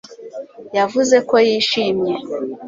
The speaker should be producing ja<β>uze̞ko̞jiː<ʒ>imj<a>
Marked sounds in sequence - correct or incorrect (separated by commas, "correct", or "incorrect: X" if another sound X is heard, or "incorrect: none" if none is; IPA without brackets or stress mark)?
incorrect: v, incorrect: ʃ, incorrect: e